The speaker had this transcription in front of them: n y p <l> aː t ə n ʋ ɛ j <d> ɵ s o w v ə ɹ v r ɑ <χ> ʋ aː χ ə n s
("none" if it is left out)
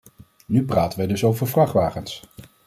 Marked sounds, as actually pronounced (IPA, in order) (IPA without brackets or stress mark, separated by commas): r, d, χ